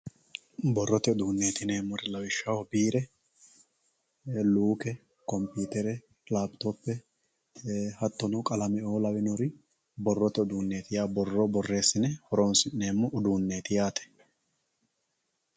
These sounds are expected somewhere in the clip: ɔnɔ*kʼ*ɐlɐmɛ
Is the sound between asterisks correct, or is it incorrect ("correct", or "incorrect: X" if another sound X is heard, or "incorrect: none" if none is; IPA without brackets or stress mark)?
correct